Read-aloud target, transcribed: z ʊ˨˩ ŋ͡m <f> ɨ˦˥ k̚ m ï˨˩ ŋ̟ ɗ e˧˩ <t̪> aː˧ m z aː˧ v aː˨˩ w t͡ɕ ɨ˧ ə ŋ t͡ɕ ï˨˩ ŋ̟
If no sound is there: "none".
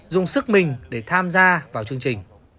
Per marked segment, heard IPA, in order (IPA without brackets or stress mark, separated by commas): s, t̪ʰ